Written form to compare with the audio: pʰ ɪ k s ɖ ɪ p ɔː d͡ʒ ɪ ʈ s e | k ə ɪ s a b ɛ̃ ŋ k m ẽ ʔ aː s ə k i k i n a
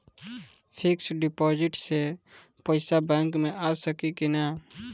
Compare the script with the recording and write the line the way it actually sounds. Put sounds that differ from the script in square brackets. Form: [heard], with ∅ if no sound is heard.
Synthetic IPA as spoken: pʰ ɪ k s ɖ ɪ p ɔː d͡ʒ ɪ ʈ s e | [p] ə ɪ s a b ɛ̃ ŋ k m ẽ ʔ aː s ə k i k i n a